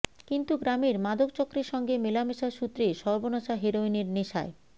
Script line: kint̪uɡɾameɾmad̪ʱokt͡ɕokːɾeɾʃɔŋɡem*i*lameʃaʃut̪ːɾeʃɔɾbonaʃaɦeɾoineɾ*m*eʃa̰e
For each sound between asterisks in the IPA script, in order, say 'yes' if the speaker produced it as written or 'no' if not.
no, no

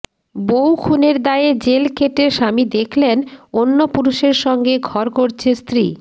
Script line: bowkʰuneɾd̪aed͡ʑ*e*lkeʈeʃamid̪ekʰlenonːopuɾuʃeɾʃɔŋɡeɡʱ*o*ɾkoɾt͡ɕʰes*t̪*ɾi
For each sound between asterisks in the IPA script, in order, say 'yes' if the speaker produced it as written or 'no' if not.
yes, no, yes

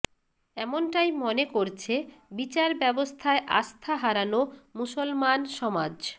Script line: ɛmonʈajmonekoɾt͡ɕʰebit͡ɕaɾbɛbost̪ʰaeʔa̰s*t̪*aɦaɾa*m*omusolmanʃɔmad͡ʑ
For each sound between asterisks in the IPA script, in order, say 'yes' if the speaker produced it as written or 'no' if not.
no, no

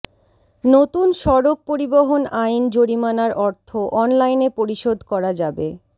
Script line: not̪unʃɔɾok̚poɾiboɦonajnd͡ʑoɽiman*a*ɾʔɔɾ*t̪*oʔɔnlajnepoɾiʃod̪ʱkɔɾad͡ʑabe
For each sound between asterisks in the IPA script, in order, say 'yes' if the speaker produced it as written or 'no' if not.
yes, no

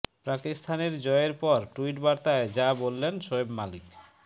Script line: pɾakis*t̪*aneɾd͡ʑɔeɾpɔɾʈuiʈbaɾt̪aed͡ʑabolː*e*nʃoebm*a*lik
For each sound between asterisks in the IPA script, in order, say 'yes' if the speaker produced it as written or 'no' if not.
no, yes, yes

